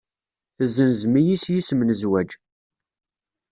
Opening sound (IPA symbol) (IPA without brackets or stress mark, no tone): θ